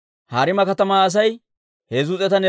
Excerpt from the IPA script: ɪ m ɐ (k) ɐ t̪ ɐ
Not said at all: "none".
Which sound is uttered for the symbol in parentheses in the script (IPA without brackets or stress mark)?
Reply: k